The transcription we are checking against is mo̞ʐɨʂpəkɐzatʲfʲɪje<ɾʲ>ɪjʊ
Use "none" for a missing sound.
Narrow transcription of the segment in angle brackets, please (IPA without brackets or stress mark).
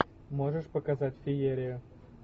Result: ɾʲ